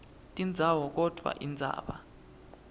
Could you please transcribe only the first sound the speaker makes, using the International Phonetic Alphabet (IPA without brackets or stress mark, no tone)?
tʼ